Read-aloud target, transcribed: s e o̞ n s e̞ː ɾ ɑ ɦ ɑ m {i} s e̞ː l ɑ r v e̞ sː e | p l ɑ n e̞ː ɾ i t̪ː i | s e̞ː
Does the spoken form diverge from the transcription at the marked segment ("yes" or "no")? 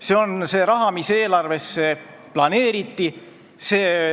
no